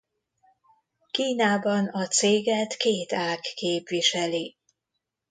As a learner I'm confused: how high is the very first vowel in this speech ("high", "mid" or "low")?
high